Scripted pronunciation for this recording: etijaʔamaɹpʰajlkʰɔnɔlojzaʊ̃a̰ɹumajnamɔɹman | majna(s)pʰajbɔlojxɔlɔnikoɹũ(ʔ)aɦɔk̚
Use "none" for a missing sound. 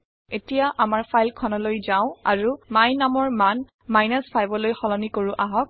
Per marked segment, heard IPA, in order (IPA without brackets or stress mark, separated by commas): s, ʔ